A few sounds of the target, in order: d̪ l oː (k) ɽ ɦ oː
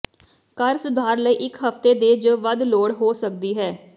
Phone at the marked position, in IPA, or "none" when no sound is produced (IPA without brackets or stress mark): none